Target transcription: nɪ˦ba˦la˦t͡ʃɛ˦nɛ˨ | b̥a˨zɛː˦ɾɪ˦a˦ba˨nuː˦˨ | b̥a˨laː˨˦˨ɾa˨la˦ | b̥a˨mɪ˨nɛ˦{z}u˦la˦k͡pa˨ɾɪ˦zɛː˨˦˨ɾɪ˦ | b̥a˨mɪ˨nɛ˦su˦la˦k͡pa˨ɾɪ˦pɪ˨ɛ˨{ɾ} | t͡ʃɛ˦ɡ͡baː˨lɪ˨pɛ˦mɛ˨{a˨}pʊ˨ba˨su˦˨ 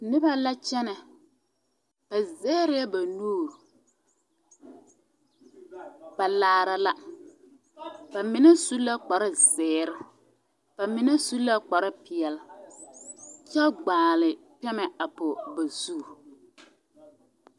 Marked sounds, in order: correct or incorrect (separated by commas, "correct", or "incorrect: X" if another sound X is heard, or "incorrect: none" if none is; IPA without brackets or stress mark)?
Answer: incorrect: s, incorrect: l, correct